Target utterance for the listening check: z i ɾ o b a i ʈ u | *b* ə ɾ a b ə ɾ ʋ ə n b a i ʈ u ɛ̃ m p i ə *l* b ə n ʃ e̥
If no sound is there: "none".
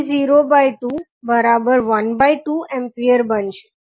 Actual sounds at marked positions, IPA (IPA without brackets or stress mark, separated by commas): b, ɾ